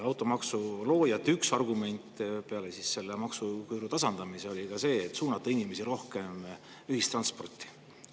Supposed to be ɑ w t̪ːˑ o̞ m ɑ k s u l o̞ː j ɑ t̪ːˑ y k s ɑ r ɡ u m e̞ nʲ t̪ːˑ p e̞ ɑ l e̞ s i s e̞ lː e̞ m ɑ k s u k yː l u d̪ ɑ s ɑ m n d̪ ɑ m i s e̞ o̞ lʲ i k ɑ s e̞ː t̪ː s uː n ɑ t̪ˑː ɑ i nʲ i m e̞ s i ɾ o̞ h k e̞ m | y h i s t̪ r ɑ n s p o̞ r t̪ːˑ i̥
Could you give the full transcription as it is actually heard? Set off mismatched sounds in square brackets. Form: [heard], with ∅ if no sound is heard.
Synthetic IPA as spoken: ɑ w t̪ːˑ o̞ m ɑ k s u l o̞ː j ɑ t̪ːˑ y k s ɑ r ɡ u m e̞ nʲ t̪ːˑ p e̞ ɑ l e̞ s i s e̞ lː e̞ m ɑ k s u k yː [ɾ] u [t̪] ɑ s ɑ [∅] n d̪ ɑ m i s e̞ o̞ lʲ i k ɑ s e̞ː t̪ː s uː n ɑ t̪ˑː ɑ i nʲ i m e̞ s i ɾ o̞ h k e̞ m | y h i s t̪ r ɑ n s p o̞ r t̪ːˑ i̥